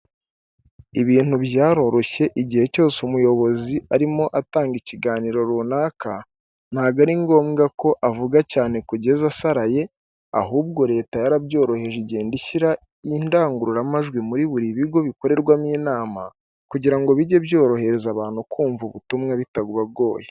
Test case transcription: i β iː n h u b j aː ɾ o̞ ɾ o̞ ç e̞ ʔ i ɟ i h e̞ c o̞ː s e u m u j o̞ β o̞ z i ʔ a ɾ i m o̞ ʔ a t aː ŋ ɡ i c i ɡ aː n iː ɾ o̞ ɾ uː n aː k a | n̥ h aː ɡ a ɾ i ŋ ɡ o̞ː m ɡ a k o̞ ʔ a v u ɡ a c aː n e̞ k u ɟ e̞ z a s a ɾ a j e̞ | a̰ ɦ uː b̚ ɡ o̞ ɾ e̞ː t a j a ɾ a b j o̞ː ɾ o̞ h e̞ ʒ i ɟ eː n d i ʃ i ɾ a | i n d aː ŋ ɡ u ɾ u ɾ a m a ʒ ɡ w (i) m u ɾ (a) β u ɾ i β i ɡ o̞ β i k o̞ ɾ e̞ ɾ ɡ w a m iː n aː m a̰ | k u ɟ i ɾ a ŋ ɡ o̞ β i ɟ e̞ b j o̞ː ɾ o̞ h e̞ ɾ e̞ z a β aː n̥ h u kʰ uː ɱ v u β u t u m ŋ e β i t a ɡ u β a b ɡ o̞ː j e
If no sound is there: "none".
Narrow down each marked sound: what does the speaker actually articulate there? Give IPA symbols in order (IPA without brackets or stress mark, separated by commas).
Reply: i, i